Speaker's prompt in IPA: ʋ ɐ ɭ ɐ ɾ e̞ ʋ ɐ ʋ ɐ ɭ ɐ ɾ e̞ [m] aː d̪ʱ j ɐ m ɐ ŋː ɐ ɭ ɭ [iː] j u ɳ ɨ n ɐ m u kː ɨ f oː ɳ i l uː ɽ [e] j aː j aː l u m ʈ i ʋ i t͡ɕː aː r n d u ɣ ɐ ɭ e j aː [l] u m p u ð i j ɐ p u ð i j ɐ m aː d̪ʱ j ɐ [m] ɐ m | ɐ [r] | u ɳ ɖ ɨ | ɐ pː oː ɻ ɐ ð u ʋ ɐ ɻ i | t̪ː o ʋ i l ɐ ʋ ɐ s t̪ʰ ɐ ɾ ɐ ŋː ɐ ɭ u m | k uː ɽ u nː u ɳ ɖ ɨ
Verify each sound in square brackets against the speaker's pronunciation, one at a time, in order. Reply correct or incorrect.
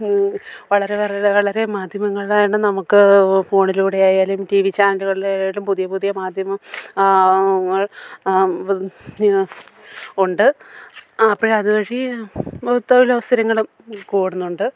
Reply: correct, incorrect, correct, correct, correct, incorrect

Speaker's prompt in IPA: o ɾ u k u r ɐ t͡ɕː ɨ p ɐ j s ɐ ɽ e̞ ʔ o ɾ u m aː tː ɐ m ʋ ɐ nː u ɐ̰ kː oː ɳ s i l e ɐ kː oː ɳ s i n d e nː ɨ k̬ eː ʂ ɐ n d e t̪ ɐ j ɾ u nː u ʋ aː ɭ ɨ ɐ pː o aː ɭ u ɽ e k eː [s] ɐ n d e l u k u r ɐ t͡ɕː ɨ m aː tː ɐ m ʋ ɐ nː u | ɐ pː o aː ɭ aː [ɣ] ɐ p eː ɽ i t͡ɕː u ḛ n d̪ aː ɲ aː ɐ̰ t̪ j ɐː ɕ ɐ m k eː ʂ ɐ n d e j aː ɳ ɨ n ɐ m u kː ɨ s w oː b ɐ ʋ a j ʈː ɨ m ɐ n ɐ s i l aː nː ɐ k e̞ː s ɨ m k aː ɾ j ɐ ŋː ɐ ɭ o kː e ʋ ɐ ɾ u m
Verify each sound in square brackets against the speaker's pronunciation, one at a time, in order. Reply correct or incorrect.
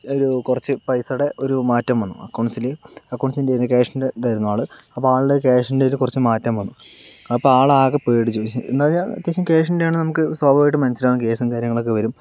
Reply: incorrect, correct

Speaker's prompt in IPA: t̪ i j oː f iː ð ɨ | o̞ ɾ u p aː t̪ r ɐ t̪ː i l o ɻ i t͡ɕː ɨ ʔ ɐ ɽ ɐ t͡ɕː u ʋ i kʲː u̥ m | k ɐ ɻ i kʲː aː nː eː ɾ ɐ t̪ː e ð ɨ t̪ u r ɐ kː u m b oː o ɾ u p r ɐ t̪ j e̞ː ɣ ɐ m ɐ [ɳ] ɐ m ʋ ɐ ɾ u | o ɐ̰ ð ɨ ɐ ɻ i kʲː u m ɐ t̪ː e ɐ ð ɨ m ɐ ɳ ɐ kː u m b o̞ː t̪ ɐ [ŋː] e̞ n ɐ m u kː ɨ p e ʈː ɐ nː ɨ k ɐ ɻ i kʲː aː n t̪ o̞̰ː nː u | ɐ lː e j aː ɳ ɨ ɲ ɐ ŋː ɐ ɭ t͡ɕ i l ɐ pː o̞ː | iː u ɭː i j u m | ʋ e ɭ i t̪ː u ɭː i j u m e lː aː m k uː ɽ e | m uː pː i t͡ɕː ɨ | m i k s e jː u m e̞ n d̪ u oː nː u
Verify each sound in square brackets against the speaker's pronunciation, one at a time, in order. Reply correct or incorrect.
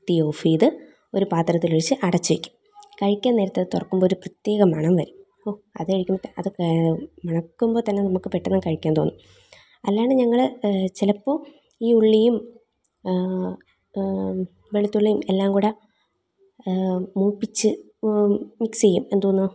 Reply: correct, incorrect

